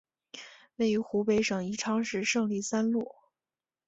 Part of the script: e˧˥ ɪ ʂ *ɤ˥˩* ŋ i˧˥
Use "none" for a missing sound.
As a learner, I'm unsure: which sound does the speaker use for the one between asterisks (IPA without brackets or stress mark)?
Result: ɤ˨˩